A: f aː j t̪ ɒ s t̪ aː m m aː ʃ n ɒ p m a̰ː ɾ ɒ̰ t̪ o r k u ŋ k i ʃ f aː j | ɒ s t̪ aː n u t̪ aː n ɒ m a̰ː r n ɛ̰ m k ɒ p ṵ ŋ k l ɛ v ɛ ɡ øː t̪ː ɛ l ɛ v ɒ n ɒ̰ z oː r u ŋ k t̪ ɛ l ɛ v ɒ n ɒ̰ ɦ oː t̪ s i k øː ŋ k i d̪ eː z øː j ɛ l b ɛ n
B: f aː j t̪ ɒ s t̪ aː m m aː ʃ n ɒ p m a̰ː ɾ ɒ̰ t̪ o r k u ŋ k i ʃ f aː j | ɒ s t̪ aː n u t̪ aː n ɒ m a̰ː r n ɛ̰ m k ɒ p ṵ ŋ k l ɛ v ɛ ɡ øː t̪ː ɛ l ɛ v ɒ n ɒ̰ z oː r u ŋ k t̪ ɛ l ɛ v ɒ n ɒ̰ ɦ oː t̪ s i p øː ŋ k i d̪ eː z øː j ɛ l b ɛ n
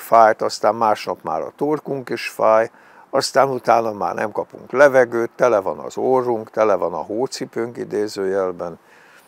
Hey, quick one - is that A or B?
B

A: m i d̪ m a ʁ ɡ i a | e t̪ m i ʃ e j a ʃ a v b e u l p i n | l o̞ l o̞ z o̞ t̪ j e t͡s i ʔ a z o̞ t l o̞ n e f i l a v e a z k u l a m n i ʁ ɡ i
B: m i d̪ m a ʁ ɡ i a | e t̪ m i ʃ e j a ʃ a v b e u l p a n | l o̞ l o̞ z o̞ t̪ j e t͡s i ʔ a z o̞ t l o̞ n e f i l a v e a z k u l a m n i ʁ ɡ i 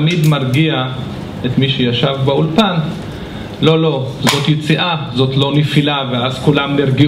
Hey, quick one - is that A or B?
B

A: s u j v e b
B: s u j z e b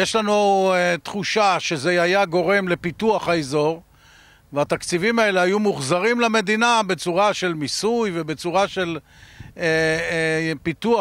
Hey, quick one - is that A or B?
A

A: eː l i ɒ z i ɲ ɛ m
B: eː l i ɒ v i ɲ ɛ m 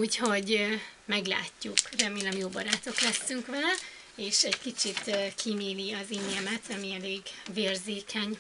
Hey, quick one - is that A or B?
A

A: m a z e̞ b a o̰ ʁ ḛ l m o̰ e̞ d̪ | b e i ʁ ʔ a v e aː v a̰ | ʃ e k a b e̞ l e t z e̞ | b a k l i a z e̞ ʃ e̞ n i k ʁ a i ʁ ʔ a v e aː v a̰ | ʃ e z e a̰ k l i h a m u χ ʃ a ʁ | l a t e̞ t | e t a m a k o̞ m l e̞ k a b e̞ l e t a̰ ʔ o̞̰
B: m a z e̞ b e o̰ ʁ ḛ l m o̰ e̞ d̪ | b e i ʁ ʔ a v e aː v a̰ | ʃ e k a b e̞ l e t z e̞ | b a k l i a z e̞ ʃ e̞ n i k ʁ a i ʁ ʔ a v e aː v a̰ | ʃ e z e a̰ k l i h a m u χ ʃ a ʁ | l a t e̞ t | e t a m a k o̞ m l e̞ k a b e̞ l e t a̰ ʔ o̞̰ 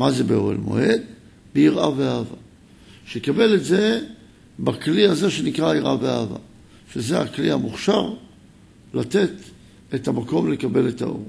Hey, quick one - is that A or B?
B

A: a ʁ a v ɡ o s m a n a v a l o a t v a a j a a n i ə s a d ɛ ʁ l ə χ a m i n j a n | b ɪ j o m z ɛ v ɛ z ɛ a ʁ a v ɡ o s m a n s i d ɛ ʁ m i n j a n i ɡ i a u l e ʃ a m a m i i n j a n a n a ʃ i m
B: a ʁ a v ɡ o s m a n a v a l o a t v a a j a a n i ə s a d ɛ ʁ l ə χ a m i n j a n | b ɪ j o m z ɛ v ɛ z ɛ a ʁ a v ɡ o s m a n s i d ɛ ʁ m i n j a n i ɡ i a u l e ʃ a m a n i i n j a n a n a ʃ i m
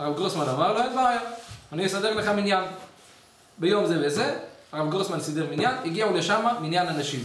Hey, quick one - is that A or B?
A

